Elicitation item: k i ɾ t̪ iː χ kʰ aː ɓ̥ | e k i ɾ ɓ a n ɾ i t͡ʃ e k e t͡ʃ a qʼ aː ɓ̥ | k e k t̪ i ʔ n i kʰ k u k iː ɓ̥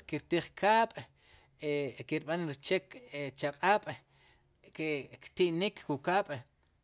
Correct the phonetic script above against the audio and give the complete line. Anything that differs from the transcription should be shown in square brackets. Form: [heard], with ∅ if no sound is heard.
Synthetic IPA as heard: k i ɾ t̪ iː χ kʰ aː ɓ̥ | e k i ɾ ɓ a n ɾ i t͡ʃ e k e t͡ʃ a qʼ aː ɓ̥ | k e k t̪ i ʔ n i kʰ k u k [aː] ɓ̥